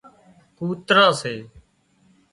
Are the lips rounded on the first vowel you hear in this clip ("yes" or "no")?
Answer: yes